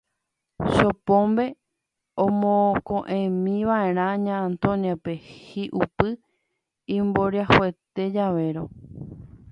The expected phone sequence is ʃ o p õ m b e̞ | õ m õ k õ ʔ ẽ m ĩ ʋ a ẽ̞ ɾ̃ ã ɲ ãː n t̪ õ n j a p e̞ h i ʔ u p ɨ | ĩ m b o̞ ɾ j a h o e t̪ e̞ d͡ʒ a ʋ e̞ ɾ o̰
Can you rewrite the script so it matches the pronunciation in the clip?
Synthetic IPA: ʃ o p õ m b e̞ | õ m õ k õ ʔ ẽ m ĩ ʋ a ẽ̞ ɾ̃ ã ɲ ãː n t̪ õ n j a p e̞ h i ʔ u p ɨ | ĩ m b o̞ ɾ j a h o e t̪ e̞ d͡ʒ a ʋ e̞ ɾ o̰